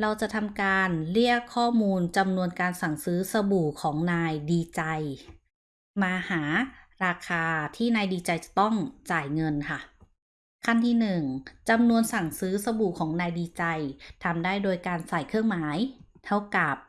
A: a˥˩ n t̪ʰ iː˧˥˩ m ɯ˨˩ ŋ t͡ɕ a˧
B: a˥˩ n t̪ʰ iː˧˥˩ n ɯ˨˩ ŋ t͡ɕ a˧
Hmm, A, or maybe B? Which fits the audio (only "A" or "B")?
B